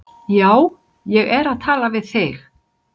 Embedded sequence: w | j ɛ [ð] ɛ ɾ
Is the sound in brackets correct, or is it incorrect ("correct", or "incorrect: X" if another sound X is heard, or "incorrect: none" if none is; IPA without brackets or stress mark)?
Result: incorrect: ɣ